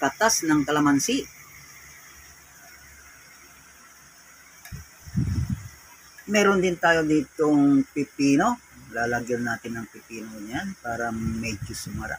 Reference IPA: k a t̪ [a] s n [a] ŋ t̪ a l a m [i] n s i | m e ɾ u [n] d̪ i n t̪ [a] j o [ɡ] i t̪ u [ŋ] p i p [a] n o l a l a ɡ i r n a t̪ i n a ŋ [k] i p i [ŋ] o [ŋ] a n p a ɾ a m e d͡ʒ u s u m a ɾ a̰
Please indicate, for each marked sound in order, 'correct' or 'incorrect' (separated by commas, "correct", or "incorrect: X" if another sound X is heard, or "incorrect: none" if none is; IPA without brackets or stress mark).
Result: correct, correct, incorrect: a, correct, correct, incorrect: d, correct, incorrect: i, incorrect: p, incorrect: n, incorrect: ɲ